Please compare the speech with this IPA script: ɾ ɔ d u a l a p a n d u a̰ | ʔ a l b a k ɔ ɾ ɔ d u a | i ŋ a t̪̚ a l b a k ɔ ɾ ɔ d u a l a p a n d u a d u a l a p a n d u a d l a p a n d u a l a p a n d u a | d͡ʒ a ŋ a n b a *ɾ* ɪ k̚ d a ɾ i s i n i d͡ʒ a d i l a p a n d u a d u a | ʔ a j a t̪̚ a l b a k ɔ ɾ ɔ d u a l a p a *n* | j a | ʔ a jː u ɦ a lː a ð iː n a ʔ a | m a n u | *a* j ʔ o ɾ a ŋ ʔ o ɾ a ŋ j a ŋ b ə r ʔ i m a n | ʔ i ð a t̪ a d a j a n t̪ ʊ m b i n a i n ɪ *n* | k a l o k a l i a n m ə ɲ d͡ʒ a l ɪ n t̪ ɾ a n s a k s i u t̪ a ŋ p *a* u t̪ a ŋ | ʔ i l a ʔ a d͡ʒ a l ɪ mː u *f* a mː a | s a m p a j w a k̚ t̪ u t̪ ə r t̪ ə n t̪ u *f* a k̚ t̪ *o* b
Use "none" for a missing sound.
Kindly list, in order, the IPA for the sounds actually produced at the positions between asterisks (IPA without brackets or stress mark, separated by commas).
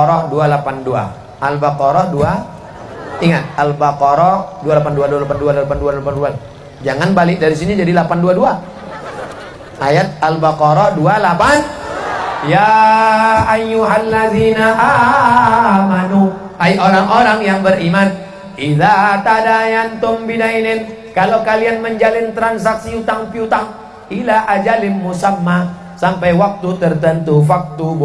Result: l, n, a, n, i, s, f, u